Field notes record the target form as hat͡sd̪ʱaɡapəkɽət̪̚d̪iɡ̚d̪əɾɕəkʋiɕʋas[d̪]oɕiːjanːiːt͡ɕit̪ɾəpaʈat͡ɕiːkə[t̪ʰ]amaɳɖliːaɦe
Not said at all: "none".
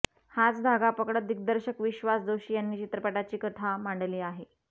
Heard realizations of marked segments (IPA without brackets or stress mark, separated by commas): d̪, t̪ʰ